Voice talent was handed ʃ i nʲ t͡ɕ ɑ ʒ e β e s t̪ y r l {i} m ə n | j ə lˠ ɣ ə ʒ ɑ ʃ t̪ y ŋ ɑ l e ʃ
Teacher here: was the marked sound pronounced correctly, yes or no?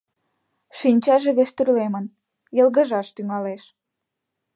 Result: no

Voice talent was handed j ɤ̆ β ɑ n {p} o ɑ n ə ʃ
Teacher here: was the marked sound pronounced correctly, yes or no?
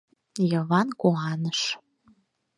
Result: no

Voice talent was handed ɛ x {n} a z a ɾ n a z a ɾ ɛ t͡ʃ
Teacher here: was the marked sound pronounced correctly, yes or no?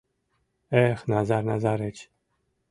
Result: yes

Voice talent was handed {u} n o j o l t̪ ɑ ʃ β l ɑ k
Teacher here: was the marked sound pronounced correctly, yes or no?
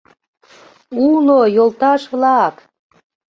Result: yes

